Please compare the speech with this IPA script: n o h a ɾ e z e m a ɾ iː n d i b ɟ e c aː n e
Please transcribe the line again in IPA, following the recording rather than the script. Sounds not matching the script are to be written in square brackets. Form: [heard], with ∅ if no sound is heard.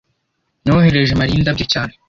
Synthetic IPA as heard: n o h [e] ɾ e [ʒ] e m a ɾ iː n d [a] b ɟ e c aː n e